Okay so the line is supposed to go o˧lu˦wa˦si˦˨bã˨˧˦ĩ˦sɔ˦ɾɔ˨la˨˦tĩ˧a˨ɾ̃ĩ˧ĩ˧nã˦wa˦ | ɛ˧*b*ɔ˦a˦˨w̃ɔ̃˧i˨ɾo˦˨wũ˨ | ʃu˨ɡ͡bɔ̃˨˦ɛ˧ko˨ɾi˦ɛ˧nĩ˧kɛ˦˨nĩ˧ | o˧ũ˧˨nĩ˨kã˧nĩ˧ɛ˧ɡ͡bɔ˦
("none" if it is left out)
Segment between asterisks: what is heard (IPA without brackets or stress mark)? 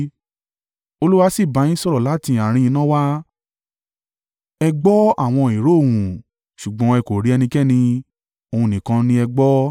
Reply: ɡ͡b